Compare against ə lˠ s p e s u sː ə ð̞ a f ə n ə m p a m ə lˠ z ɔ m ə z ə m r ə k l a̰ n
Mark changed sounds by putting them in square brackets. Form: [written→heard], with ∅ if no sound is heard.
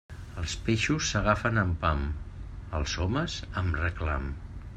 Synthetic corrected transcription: ə lˠ s p e [s→ʃ] u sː ə [ð̞→ɣ̞] a f ə n ə m p a m ə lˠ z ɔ m ə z ə m r ə k l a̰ [n→m]